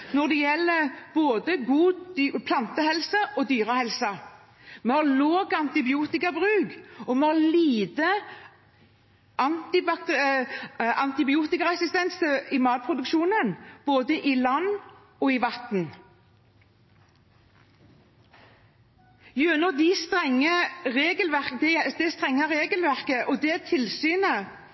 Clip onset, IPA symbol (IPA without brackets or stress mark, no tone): n